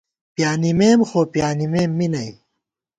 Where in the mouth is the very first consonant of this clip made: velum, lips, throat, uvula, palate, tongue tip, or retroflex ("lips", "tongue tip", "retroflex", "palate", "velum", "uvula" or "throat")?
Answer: lips